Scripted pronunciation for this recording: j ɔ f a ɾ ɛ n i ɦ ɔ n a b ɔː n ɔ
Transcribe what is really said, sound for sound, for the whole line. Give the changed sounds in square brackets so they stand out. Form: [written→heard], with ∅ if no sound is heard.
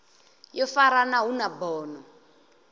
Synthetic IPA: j ɔ f a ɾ [ɛ→a] n [i→a] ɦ [ɔ→u] n a b ɔː n ɔ